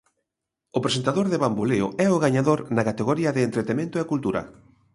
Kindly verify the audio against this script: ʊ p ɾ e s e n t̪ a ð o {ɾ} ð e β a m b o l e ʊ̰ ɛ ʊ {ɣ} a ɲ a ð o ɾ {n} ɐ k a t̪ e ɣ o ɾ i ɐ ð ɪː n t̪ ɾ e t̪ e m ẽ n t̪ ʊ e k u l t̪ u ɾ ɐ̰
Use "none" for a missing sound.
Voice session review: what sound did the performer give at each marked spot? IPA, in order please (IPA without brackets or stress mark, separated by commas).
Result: ɾ, ɣ, n